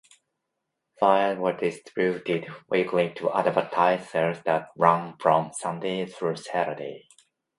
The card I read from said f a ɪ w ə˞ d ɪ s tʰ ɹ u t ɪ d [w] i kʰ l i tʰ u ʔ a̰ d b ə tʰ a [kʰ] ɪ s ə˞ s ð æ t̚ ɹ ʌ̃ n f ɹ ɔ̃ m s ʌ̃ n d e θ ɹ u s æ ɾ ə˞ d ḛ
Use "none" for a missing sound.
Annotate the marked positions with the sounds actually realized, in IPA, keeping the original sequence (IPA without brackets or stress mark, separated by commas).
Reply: w, none